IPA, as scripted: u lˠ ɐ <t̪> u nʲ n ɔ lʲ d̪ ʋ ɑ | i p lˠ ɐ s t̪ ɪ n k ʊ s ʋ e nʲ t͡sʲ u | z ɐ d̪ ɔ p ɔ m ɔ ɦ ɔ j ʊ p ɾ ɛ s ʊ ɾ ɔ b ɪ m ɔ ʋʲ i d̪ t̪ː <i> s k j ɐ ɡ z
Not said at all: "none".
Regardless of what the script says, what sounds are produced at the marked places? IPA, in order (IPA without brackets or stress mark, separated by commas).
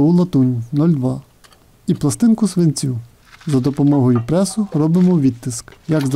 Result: t̪, ɪ